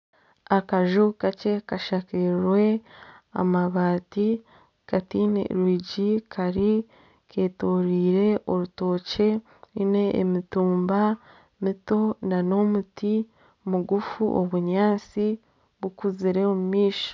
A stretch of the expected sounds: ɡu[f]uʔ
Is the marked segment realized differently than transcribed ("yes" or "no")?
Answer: no